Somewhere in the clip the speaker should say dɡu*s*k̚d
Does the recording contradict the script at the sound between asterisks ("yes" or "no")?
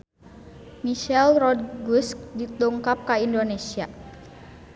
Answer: no